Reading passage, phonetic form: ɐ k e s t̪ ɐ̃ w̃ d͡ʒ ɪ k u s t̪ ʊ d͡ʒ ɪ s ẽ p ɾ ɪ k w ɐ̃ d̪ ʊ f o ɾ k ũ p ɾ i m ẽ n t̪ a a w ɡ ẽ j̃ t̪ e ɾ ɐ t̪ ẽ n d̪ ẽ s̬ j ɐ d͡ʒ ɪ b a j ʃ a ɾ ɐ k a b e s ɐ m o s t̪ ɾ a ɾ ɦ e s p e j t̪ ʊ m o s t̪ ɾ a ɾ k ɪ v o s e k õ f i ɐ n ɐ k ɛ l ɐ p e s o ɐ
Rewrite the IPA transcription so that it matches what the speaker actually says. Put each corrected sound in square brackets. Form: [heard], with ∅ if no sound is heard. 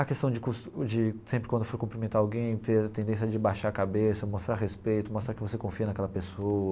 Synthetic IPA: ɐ k e s t̪ ɐ̃ w̃ d͡ʒ ɪ k u s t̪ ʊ d͡ʒ ɪ s ẽ p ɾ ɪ k w ɐ̃ d̪ ʊ f o ɾ k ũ p ɾ i m ẽ n t̪ a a w ɡ ẽ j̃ t̪ e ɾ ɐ t̪ ẽ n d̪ ẽ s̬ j ɐ d͡ʒ ɪ b a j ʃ a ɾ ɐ k a b e s ɐ m o s t̪ ɾ a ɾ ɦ e s p e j t̪ ʊ m o s t̪ ɾ a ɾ k ɪ v o s e k õ f i ɐ n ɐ k ɛ l ɐ p e s o ɐ